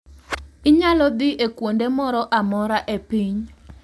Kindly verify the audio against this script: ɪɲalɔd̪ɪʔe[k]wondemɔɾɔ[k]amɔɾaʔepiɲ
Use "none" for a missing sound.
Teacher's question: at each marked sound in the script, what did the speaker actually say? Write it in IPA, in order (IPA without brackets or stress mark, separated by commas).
k, ʔ